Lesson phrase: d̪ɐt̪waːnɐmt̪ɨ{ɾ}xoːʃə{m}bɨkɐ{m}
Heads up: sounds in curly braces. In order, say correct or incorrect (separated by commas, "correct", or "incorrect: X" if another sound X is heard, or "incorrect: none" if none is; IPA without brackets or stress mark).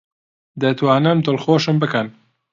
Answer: incorrect: l, correct, incorrect: n